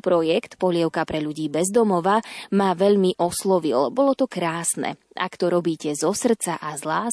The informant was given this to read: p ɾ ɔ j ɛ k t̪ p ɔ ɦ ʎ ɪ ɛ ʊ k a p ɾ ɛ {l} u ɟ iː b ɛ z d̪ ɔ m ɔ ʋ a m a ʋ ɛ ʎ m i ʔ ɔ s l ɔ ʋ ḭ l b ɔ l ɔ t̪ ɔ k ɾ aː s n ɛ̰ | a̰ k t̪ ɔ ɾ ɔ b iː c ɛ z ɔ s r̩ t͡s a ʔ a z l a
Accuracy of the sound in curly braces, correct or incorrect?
incorrect